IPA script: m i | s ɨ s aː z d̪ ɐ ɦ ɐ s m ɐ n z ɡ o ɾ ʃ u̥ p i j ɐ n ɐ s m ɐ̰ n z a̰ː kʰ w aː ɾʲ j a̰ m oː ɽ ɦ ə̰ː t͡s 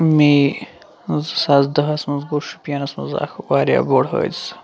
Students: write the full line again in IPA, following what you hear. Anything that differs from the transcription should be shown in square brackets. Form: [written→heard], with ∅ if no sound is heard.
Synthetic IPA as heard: m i | [s→z] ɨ s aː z d̪ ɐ ɦ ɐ s m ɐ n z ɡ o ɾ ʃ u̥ p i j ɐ n ɐ s m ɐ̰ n z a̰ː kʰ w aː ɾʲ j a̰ [m→b] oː ɽ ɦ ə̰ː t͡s

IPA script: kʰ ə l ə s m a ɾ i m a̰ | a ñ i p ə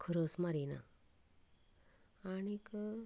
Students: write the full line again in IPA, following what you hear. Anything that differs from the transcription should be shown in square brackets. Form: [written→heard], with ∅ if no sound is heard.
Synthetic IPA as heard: kʰ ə [l→ɾ] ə s m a ɾ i [m→n] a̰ | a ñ i [p→k] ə

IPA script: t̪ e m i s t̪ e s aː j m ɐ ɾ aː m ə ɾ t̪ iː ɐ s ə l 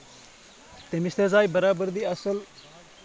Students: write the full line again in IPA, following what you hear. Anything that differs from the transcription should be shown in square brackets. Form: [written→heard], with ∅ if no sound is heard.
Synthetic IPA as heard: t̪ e m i s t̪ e [s→z] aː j [m→b] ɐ ɾ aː [m→b] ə ɾ [t̪→d̪] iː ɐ s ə l

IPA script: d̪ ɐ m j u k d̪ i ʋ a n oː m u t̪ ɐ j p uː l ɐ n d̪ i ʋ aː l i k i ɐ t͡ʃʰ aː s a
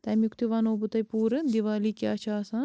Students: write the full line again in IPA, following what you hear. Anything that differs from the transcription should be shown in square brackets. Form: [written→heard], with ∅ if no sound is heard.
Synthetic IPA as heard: [d̪→t̪] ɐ m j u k [d̪→t̪] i ʋ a n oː [m→b] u t̪ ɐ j p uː [l→ɾ] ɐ n d̪ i ʋ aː l i k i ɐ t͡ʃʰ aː s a

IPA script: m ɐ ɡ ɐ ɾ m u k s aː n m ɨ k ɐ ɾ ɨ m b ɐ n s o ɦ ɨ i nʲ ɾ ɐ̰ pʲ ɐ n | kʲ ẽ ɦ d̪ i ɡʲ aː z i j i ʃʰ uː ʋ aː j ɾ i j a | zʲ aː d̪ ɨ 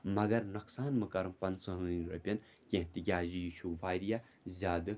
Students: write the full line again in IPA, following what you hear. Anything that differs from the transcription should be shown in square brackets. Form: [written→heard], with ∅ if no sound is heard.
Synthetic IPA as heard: m ɐ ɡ ɐ ɾ [m→n] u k s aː n m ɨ k ɐ ɾ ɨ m [b→p] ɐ n s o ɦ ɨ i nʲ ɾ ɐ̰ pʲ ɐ n | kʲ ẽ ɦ [d̪→t̪] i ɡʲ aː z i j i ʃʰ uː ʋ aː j ɾ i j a | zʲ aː d̪ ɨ

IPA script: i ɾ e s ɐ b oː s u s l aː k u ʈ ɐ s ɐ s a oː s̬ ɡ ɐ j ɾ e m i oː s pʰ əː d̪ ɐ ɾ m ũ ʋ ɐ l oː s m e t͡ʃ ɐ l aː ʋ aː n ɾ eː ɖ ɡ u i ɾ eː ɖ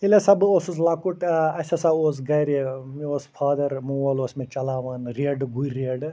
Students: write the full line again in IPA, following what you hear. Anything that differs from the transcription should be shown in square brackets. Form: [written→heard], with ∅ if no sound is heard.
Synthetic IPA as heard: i [ɾ→l] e s ɐ b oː s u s l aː k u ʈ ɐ s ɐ s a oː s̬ ɡ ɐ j ɾ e m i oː s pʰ [əː→aː] d̪ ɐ ɾ m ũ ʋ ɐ l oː s m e t͡ʃ ɐ l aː ʋ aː n ɾ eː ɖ ɡ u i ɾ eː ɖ

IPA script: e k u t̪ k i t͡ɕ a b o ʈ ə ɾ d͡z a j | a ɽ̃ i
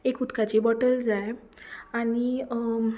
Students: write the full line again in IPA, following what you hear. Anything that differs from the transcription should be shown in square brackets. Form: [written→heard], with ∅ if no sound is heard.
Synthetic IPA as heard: e k u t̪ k [i→a] t͡ɕ [a→i] b [o→ɔ] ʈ ə [ɾ→l] d͡z a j | a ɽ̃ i

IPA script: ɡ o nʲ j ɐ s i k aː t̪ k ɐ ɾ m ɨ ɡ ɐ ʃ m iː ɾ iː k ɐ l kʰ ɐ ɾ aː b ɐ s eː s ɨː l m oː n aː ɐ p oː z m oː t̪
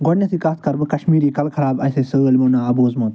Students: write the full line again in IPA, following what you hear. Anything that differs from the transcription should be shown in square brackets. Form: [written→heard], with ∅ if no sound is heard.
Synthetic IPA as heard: ɡ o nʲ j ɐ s i k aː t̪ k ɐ ɾ [m→b] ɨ [ɡ→k] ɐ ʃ m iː ɾ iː k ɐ l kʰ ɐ ɾ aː b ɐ s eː s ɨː l m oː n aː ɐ [p→b] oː z m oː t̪

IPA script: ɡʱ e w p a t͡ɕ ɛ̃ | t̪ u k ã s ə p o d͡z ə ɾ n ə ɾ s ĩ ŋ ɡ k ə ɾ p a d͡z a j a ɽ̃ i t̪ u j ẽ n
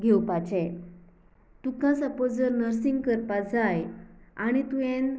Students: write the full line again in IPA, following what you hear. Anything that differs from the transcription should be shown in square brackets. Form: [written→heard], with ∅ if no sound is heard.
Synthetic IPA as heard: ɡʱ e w p a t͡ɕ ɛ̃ | t̪ u k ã s ə p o d͡z ə ɾ n ə ɾ s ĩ ŋ ɡ k ə ɾ p a d͡z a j a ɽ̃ i t̪ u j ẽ n

